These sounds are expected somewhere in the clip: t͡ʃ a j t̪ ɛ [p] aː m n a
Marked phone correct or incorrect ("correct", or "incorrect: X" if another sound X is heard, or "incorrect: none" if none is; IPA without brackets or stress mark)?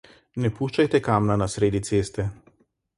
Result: incorrect: k